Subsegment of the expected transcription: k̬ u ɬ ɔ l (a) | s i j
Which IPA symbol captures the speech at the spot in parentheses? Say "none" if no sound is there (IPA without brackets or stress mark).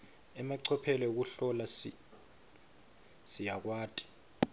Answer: a